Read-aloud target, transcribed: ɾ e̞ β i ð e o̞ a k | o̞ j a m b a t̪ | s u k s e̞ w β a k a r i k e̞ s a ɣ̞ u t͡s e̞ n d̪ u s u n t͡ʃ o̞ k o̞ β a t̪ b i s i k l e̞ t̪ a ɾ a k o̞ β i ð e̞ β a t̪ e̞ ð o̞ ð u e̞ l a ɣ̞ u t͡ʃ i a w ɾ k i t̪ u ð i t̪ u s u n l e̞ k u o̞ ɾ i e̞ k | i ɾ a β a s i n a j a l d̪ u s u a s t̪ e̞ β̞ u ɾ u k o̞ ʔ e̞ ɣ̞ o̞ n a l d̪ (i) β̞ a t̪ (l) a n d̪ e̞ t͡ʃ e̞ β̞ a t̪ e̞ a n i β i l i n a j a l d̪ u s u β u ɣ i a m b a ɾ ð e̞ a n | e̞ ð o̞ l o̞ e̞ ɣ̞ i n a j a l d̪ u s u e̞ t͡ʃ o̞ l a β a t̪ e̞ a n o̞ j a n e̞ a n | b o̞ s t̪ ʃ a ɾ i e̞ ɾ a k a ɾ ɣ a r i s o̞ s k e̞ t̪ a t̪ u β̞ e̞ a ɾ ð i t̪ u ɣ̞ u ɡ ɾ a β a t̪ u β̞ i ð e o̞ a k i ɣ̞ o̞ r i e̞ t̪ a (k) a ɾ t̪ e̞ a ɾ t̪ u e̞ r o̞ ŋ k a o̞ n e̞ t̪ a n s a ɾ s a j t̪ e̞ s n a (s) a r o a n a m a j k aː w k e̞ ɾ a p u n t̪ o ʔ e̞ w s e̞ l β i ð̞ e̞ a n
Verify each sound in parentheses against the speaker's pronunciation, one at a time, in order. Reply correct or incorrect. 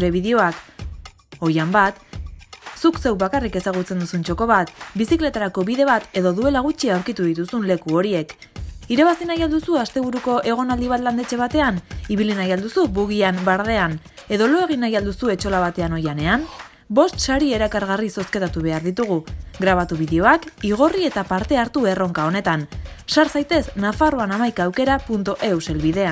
correct, correct, incorrect, incorrect

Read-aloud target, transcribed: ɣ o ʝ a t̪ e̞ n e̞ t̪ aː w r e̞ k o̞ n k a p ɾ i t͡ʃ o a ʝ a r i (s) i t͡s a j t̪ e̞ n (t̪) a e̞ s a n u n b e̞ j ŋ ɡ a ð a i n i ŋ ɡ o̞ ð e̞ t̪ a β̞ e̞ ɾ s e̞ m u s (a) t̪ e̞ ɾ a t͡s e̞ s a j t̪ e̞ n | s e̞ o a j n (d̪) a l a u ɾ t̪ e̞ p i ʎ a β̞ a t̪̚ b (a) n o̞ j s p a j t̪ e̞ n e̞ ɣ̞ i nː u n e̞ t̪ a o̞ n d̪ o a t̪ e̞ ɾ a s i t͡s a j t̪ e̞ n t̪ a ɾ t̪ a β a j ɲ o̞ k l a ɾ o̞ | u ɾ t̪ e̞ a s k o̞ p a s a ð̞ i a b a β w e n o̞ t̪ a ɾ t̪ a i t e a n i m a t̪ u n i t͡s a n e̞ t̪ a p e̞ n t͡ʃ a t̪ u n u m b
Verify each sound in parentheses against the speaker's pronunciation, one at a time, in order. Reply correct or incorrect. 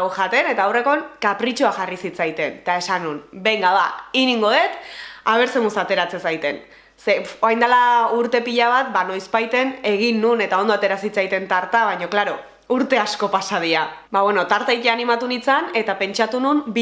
correct, correct, correct, correct, correct

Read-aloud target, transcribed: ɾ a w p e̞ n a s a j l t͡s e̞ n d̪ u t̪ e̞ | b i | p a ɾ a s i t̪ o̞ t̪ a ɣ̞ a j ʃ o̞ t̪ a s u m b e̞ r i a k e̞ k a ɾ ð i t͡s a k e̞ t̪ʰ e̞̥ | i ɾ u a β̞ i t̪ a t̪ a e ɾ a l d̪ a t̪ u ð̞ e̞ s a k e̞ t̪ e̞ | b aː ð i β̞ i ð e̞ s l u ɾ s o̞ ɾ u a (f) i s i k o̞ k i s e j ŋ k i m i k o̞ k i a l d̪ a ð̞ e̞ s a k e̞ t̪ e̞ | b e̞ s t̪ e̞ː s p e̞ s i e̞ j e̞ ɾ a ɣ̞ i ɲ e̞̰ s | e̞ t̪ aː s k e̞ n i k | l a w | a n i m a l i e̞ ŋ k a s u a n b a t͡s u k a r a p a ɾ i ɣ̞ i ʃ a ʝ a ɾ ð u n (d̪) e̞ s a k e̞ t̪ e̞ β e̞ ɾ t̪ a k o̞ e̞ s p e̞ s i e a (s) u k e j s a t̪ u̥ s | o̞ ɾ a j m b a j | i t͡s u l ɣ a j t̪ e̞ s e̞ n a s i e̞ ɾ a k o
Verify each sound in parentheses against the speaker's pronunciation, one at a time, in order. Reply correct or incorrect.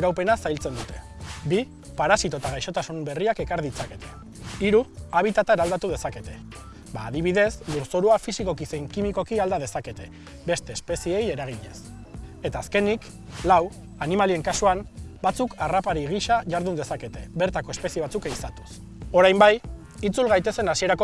correct, correct, incorrect

